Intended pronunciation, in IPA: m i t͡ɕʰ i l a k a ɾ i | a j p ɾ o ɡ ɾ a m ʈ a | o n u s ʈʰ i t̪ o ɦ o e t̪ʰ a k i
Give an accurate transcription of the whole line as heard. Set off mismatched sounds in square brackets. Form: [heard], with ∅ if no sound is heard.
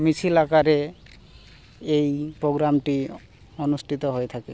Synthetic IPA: m i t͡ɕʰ i l a k a ɾ [e] | [e] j p ɾ o ɡ ɾ a m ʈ [i] | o n u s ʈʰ i t̪ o ɦ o e t̪ʰ a k [e]

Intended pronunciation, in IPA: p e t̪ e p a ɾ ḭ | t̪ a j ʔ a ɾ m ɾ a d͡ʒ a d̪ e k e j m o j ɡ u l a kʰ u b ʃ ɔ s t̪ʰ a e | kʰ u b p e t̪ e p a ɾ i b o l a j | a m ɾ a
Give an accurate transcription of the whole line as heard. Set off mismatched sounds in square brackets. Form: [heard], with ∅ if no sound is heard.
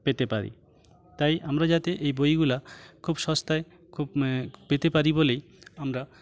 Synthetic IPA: p e t̪ e p a ɾ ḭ | t̪ a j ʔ a [∅] m ɾ a d͡ʒ a [t̪] e [ʔ] e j [b] o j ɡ u l a kʰ u b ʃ ɔ s [t̪] a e | kʰ u b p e t̪ e p a ɾ i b o l [e] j | a m ɾ a

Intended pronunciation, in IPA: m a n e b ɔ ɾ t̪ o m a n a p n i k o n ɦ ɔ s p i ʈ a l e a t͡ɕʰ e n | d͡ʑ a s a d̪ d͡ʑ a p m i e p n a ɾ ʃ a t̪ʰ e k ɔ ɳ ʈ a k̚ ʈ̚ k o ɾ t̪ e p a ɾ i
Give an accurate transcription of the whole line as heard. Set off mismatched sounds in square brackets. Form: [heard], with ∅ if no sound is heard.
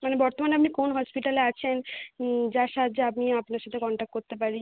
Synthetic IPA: m a n e b ɔ ɾ t̪ o m a n a p n i k o n ɦ ɔ s p i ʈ a l e a t͡ɕʰ e n | d͡ʑ a [ʃ] a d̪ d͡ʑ a p m i [a] p n a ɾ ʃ a t̪ʰ e k ɔ ɳ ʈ a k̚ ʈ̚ k o ɾ t̪ e p a ɾ i

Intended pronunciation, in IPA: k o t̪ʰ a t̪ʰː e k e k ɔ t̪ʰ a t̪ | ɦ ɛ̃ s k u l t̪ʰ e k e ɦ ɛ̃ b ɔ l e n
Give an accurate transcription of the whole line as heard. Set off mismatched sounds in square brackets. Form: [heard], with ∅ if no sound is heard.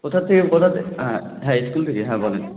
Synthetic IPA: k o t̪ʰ a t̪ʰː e k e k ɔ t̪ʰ a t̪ | ɦ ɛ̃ s k u l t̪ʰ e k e ɦ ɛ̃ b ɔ l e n

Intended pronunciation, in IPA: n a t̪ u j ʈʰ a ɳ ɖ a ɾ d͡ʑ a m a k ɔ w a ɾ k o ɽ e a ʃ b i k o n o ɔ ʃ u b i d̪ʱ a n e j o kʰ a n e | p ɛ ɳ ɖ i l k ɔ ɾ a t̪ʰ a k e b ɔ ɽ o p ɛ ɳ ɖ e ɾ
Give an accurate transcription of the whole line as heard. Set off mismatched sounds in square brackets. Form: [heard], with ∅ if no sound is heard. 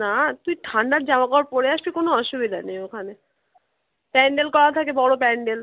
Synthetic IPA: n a t̪ u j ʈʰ a ɳ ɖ a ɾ d͡ʑ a m a k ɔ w a ɾ [p] o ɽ e a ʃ b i k o n o ɔ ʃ u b i d̪ʱ a n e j o kʰ a n e | p ɛ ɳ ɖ [e] l k ɔ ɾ a t̪ʰ a k e b ɔ ɽ o p ɛ ɳ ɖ e [l]

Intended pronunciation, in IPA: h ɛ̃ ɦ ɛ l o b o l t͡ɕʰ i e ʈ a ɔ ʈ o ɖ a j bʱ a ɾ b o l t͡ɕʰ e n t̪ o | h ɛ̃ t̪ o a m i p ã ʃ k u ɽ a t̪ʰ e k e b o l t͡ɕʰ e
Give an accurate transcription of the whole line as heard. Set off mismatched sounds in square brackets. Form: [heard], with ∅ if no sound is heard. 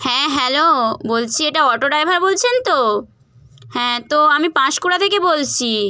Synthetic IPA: h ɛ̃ ɦ ɛ l o b o l t͡ɕʰ i e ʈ a ɔ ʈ o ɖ a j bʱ a ɾ b o l t͡ɕʰ e n t̪ o | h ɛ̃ t̪ o a m i p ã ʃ k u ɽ a t̪ʰ e k e b o l t͡ɕʰ [i]

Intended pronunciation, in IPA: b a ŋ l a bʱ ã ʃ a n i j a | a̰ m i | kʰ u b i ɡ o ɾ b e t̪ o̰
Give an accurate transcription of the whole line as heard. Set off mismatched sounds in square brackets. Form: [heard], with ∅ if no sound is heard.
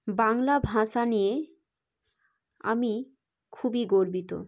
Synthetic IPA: b a ŋ l a bʱ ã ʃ a n i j [e] | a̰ m i | kʰ u b i ɡ o ɾ b [i] t̪ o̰

